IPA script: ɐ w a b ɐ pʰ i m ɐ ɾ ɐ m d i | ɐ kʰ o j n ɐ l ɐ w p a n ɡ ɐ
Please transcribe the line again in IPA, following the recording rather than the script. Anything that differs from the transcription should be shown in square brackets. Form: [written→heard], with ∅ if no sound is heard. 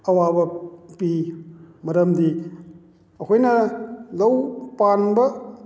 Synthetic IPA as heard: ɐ w a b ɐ [pʰ→p] i m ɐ ɾ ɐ m d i | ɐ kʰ o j n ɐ l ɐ w p a n [ɡ→b] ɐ